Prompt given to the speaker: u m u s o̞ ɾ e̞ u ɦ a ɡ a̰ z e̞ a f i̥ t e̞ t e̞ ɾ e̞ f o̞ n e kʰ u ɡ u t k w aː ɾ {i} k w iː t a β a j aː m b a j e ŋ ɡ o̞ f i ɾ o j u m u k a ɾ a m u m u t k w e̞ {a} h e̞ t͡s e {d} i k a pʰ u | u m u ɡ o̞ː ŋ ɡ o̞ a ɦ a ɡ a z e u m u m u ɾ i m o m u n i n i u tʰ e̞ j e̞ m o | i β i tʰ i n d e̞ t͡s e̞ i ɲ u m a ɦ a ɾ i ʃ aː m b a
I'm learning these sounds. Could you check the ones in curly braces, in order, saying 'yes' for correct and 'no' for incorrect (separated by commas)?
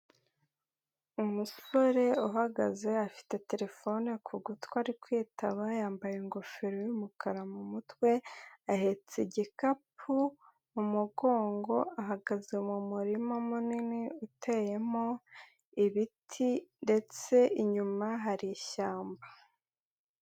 yes, yes, no